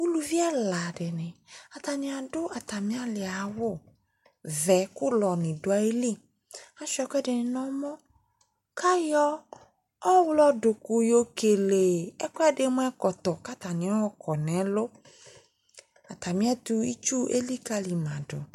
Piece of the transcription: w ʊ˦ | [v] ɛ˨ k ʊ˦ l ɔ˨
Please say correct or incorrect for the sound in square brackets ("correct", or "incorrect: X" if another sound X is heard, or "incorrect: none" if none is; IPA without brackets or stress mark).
correct